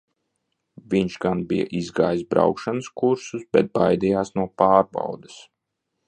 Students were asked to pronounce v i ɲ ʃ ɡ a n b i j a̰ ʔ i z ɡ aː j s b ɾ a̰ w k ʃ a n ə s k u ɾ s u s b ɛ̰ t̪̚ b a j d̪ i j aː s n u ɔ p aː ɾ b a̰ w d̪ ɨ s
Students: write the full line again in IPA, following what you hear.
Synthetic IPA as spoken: v i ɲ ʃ ɡ a n b i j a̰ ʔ i z ɡ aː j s b ɾ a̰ w k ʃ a n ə s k u ɾ s u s b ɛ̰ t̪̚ b a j d̪ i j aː s n u ɔ p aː ɾ b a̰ w d̪ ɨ s